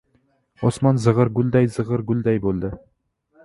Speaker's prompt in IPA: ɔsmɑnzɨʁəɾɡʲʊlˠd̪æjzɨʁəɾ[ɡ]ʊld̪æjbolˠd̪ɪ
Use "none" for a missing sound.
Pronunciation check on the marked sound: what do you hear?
ɡ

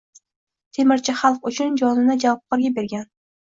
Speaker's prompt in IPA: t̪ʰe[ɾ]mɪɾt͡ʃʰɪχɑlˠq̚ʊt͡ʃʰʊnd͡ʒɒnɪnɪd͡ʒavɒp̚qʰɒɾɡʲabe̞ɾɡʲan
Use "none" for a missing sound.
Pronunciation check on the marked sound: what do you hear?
none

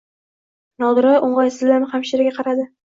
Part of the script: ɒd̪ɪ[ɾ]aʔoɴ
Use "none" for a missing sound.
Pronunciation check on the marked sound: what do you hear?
ɾ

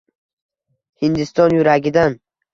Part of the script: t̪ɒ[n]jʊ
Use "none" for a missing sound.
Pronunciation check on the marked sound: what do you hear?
n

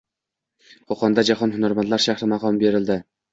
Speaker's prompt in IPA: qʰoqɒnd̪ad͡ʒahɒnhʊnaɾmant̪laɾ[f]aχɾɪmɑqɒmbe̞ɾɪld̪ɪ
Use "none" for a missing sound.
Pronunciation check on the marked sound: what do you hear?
ʃ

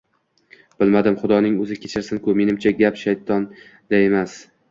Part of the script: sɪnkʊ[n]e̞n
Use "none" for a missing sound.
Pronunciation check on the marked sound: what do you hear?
m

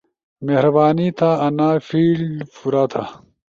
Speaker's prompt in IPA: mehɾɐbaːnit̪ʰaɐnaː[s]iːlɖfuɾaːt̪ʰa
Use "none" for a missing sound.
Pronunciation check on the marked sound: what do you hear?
f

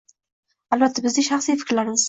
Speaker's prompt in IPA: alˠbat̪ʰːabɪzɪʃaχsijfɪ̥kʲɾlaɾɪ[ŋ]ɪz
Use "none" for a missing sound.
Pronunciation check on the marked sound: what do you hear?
m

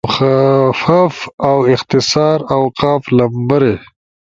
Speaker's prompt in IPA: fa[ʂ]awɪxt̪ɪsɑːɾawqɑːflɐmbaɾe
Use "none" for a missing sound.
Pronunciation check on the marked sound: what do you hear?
f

